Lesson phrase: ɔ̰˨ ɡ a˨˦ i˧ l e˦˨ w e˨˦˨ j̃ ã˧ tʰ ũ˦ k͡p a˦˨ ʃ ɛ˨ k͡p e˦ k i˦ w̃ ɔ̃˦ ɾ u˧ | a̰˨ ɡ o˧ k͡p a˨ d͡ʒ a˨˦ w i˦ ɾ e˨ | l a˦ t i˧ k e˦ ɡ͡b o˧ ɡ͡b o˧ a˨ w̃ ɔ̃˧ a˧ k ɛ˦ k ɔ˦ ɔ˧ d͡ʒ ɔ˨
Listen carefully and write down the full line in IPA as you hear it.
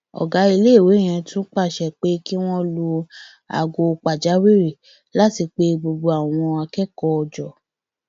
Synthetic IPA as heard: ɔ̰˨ ɡ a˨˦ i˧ l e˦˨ w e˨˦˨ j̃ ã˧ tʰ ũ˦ k͡p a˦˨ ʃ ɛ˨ k͡p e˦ k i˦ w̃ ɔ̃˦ l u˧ | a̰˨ ɡ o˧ k͡p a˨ d͡ʒ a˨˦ w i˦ ɾ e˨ | l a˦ t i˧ k͡p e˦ ɡ͡b o˧ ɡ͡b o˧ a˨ w̃ ɔ̃˧ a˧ k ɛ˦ k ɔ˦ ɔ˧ d͡ʒ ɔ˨